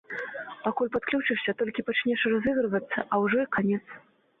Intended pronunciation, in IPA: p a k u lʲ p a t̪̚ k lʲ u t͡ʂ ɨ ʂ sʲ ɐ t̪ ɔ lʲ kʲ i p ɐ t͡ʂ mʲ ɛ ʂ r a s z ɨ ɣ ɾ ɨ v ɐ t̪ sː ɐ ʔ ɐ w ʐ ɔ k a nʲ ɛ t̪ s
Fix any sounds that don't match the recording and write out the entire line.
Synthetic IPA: p a k u lʲ p a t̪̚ k lʲ u t͡ʂ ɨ ʂ sʲ ɐ t̪ ɔ lʲ kʲ i p a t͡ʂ nʲ ɛ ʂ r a z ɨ ɣ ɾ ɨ v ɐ t̪ sː ɐ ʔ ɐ w ʐ ɔ k a nʲ ɛ t̪ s

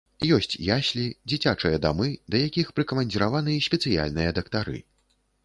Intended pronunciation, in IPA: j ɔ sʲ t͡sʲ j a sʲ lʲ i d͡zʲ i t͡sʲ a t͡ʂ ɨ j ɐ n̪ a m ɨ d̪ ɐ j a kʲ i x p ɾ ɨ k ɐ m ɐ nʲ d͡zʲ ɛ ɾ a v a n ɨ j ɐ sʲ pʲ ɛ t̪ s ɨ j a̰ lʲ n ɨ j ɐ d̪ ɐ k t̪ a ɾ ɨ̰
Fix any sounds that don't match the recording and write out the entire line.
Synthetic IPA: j ɔ sʲ t͡sʲ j a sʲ lʲ i d͡zʲ i t͡sʲ a t͡ʂ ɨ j ɐ d̪ a m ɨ d̪ ɐ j a kʲ i x p ɾ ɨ k ɐ m ɐ nʲ d͡zʲ i ɾ a v a n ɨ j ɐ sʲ pʲ ɛ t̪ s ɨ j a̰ lʲ n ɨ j ɐ d̪ ɐ k t̪ a ɾ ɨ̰

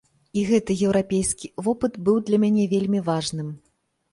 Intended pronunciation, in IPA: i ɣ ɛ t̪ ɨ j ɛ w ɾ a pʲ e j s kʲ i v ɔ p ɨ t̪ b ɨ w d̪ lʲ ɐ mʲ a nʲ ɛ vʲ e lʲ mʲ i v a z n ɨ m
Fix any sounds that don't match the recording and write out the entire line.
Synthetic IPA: i ɣ ɛ t̪ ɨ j ɛ w ɾ a pʲ e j s kʲ i v ɔ p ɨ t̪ b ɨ w d̪ lʲ ɐ mʲ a nʲ ɛ vʲ e lʲ mʲ i v a ʐ n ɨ m

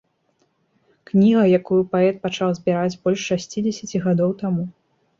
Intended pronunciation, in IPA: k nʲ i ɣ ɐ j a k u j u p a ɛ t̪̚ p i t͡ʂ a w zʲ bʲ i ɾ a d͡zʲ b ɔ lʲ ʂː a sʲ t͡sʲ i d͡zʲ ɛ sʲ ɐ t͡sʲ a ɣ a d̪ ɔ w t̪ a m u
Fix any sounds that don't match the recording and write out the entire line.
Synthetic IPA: k nʲ i ɣ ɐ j a k u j u p a ɛ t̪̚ p a t͡ʂ a w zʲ bʲ i ɾ a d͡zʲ b ɔ lʲ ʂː a sʲ t͡sʲ i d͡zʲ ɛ sʲ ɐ t͡sʲ i ɣ a d̪ ɔ w t̪ a m u

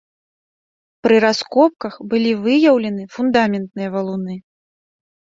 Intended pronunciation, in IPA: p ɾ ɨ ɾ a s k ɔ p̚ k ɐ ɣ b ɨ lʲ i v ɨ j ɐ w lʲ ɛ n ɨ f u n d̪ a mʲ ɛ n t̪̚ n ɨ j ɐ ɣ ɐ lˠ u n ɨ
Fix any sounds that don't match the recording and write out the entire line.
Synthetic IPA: p ɾ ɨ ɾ a s k ɔ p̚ k ɐ x b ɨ lʲ i v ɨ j ɐ w lʲ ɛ n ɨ f u n d̪ a mʲ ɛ n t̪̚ n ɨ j ɐ v ɐ lˠ u n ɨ

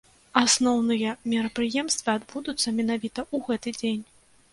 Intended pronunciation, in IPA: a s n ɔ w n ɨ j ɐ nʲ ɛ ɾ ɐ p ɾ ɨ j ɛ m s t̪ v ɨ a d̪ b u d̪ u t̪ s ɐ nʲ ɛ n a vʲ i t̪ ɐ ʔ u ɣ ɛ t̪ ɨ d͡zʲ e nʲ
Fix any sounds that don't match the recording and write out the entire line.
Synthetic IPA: a s n ɔ w n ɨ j ɐ mʲ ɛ ɾ ɐ p ɾ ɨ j ɛ m s t̪ v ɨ a d̪ b u d̪ u t̪ sː ɐ mʲ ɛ n a vʲ i t̪ ɐ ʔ u ɣ ɛ t̪ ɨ d͡zʲ e nʲ

